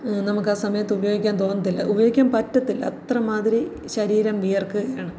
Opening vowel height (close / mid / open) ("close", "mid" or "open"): open